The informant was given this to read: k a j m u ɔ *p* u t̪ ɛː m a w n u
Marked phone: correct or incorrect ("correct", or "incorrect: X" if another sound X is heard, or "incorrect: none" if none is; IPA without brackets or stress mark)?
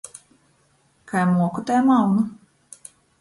incorrect: k